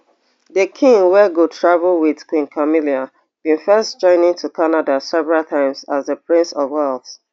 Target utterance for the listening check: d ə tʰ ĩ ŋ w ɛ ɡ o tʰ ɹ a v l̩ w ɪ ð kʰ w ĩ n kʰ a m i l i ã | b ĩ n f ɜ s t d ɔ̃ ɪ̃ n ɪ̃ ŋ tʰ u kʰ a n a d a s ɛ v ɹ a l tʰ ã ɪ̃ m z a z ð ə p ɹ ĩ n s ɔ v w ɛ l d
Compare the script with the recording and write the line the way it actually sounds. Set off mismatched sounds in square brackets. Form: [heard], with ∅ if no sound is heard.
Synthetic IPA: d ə [kʰ] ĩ ŋ w ɛ ɡ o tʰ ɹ a v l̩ w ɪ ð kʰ w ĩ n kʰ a m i l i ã | b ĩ n f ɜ s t [d͡ʒ] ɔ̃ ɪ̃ n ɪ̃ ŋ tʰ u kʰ a n a d a s ɛ v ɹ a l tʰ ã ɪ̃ m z a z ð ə p ɹ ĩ n s ɔ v w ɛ l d